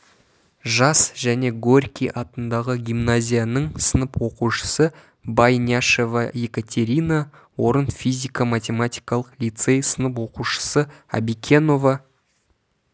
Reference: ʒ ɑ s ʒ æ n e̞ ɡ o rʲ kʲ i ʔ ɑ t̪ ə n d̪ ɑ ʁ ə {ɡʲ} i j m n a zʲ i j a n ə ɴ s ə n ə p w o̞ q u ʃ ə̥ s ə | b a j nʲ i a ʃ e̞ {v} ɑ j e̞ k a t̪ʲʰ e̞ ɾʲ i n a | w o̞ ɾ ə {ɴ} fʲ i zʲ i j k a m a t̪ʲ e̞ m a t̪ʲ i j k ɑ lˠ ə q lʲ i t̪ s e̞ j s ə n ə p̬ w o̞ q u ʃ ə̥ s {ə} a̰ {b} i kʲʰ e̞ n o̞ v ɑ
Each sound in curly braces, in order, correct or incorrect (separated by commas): correct, correct, incorrect, correct, correct